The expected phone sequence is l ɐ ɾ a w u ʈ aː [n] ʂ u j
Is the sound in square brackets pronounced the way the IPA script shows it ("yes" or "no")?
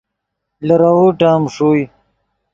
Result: no